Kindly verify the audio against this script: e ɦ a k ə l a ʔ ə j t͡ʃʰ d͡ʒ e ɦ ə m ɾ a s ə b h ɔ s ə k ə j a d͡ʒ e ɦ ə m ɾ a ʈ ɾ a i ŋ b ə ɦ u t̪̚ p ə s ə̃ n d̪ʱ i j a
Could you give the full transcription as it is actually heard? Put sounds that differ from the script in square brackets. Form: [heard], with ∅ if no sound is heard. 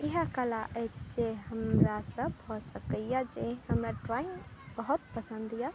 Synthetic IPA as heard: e ɦ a k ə l a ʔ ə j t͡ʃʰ d͡ʒ e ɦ ə m ɾ a s ə b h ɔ s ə k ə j a d͡ʒ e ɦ ə m ɾ a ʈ ɾ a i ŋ b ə ɦ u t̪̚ p ə s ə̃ n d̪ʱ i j a